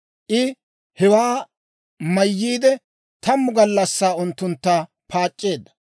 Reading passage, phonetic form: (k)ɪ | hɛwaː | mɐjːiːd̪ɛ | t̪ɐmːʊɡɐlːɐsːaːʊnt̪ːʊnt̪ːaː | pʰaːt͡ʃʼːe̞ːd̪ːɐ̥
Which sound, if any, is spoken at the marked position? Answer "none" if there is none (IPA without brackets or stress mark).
ʔ